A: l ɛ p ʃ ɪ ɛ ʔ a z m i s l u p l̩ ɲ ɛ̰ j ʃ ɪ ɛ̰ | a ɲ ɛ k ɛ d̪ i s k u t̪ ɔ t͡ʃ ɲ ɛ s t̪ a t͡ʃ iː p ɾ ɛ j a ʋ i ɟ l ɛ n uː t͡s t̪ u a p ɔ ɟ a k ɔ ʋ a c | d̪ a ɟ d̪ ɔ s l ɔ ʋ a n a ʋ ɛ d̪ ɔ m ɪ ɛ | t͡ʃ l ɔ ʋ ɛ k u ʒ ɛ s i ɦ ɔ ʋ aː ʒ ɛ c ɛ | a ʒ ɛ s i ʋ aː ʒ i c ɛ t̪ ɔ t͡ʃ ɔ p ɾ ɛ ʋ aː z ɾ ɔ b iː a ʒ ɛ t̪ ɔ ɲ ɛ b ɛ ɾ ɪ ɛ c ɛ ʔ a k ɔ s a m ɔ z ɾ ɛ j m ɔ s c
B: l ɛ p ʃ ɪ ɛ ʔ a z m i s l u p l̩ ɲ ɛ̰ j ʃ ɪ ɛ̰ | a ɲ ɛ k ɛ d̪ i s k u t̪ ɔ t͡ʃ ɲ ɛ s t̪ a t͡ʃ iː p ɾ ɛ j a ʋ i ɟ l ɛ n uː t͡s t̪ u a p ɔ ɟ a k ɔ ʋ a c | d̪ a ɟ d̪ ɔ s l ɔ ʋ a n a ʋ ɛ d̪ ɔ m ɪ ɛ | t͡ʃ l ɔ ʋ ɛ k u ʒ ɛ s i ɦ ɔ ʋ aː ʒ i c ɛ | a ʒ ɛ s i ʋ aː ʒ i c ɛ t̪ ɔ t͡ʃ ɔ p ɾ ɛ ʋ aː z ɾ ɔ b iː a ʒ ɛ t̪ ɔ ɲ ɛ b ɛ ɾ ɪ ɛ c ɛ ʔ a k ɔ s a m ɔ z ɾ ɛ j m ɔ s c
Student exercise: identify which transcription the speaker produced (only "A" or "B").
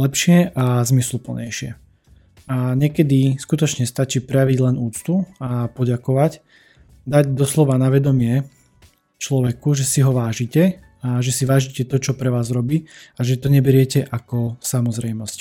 B